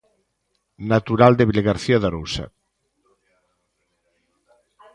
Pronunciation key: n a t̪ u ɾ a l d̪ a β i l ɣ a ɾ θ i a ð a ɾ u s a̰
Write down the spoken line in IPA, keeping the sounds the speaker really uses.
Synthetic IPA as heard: n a t̪ u ɾ a l d̪ e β i l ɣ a ɾ θ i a ð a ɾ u s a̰